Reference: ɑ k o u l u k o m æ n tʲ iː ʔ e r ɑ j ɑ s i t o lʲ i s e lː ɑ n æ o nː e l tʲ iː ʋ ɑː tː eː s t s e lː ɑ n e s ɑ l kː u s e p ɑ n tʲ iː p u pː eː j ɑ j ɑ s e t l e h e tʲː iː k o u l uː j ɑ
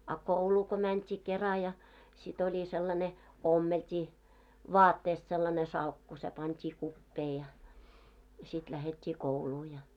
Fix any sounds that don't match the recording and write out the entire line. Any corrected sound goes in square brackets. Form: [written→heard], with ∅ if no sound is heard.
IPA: ɑ k o u l [u→uː] k o m æ n tʲ iː [ʔ→k] e r ɑ j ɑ s i t o lʲ i s e lː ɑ n [æ→e] o [nː→mː] e l tʲ iː ʋ ɑː tː eː s t s e lː ɑ n e s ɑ l kː u s e p ɑ n tʲ iː [p→k] u pː eː j ɑ j ɑ s [e→i] t l [e→æ] h e tʲː iː k o u l uː j ɑ

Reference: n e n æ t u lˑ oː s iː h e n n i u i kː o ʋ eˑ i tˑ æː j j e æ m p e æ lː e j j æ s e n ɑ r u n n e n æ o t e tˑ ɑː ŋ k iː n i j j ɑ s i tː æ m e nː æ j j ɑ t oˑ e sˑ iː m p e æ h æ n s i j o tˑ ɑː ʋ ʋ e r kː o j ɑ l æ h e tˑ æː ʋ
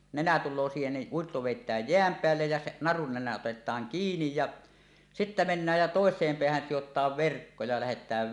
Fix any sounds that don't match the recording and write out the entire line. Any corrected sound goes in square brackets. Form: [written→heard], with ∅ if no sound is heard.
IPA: n e n æ t u lˑ oː s iː h e n n i u i [kː→tː] o ʋ eˑ i tˑ æː j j e æ m p e æ lː e j j æ s e n ɑ r u n n e n æ o t e tˑ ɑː ŋ k iː n i j j ɑ s i tː æ m e nː [æ→æː] j j ɑ t oˑ e sˑ [iː→eː] m p e æ h æ n s i j o tˑ ɑː ʋ ʋ e r kː o j ɑ l æ h e tˑ æː ʋ

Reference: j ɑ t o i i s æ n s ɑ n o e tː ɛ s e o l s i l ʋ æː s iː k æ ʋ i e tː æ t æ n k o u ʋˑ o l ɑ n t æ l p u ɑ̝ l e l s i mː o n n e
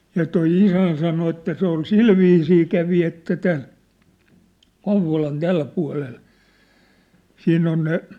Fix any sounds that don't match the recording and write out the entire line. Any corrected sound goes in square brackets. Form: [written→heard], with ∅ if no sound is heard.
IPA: j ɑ t o i i s æ n s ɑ n o e tː [ɛ→æ] s e o l s i l ʋ [æː→iː] s iː k æ ʋ i e tː æ t æ n k o u ʋˑ o l ɑ n t æ l p u ɑ̝ l e l s i [mː→nː] o n n e

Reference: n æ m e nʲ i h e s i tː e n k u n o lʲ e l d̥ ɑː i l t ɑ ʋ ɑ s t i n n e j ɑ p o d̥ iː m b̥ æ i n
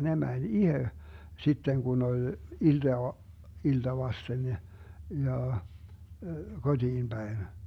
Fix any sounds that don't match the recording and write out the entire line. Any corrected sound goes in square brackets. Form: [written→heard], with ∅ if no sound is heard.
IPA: n [æ→e] m [e→æ] nʲ i h e s i tː e [n→ŋ] k u n o lʲ [e→i] l d̥ ɑː i l t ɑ ʋ ɑ s t [i→e] n n e j ɑ [p→k] o d̥ iː m b̥ æ i n

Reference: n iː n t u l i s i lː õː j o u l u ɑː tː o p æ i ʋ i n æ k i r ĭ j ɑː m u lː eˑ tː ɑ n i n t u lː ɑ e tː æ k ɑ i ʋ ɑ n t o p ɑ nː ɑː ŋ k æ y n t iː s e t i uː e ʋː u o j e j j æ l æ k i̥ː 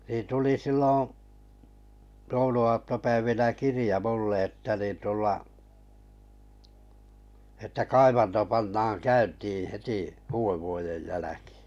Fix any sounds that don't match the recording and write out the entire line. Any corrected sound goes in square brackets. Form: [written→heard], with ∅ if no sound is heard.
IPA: n iː n t u l i s i lː õː j o u l u ɑː tː o p æ i ʋ i n æ k i r ĭ j [ɑː→ɑ] m u lː eˑ tː ɑ n i n t u lː ɑ e tː æ k ɑ i ʋ ɑ n t o p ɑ nː ɑː ŋ k æ y n t iː [s→h] e t i uː e ʋː u o j e j j æ l æ k i̥ː

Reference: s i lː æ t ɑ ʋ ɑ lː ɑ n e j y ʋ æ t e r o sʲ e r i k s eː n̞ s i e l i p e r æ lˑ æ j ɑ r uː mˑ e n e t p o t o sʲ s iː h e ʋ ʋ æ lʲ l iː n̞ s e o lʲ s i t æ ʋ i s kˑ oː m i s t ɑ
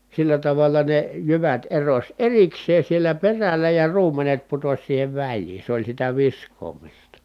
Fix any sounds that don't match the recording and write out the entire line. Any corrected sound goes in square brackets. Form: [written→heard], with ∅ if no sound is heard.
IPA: s i lː æ t ɑ ʋ ɑ lː ɑ n e j y ʋ æ t e r o sʲ e r i k s eː n̞ s i e l [i→æ] p e r æ lˑ æ j ɑ r uː mˑ e n e t p [o→u] t o sʲ s iː h e ʋ ʋ æ lʲ l iː n̞ s e o lʲ s i t æ ʋ i s kˑ oː m i s t ɑ

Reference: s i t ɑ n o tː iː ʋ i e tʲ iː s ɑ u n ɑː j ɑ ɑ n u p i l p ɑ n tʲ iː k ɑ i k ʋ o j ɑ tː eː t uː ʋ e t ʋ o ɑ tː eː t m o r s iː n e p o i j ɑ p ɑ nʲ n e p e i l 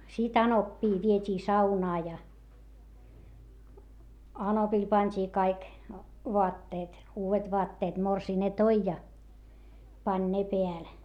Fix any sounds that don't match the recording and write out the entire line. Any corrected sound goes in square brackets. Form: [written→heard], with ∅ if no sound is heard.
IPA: s i t ɑ n o [tː→pː] iː ʋ i e tʲ iː s ɑ u n ɑː j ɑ ɑ n [u→o] p i l p ɑ n tʲ iː k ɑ i k ʋ o [j→∅] ɑ tː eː t uː ʋ e t ʋ o ɑ tː eː t m o r s iː n e [p→t] o i j ɑ p ɑ nʲ n e p e [i→æ] l

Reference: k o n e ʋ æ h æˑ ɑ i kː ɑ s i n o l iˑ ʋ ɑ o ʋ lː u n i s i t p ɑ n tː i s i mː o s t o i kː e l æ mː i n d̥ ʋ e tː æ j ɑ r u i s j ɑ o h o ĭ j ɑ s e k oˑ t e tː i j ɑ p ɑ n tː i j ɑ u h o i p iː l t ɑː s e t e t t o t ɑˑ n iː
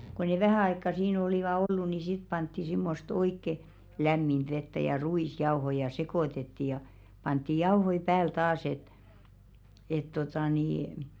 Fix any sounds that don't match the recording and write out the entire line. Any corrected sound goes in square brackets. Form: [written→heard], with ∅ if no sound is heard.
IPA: k o n e ʋ æ h æˑ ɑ i kː ɑ s [i→iː] n o l iˑ ʋ ɑ o [ʋ→∅] lː u n i s i t p ɑ n tː i s i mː o s t o i kː e l æ mː i n d̥ ʋ e tː æ j ɑ r u i s j ɑ o h o ĭ j ɑ s e k oˑ t e tː i j ɑ p ɑ n tː i j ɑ u h o i p [iː→æː] l t ɑː s e t e t t o t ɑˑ n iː

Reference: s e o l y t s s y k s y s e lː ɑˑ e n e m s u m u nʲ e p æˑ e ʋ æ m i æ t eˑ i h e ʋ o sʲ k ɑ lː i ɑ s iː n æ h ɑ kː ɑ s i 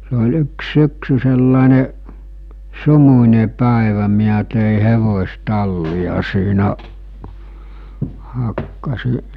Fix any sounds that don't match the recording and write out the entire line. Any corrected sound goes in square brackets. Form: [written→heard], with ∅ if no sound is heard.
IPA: s e o l y [t→k] s s y k s y s e lː ɑˑ e n e [m→∅] s u m u nʲ e p æˑ e ʋ æ m i æ t eˑ i h e ʋ o sʲ [k→t] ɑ lː i ɑ s iː n æ h ɑ kː ɑ s i

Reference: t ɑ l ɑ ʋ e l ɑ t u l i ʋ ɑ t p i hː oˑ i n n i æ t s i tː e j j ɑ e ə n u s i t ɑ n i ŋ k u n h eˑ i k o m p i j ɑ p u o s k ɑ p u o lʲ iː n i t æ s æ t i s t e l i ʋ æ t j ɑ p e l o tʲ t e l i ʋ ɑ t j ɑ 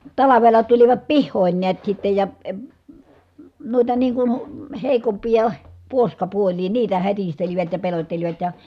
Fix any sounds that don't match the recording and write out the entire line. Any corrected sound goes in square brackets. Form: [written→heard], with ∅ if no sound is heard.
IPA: t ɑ l ɑ ʋ e l ɑ t u l i ʋ ɑ t p i hː oˑ i n n i æ t s i tː e j j ɑ e ə n u [s→∅] i t ɑ n [i→iː] ŋ k u n h eˑ i k o m p i j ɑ p u o s k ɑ p u o lʲ iː n [i→iː] t æ [s→h] æ t i s t e l i ʋ æ t j ɑ p e l o tʲ t e l i ʋ ɑ t j ɑ

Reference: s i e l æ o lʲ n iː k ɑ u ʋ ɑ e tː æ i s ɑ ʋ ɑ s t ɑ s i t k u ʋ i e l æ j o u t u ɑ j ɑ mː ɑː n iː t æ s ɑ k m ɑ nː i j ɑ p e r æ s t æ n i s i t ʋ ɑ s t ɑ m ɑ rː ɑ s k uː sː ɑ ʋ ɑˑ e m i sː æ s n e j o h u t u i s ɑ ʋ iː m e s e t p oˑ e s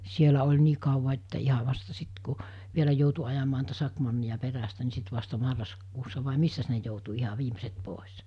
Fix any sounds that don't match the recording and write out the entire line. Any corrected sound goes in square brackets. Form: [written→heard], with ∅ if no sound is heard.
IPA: s i e l æ o lʲ n iː k ɑ u ʋ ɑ e tː æ i [s→h] ɑ ʋ ɑ s t ɑ s i t k u ʋ i e l æ j o u t u ɑ j ɑ [mː→m] ɑː n iː t æ s ɑ k m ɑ nː i j ɑ p e r æ s t æ n i s i t ʋ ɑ s t ɑ m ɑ rː ɑ s k uː sː ɑ ʋ ɑˑ e m i sː æ s n e j o [h→∅] u t u i [s→h] ɑ ʋ iː m e s e t p oˑ e s

